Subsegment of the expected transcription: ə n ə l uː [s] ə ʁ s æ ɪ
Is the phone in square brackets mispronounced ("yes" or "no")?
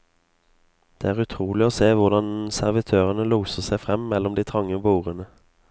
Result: no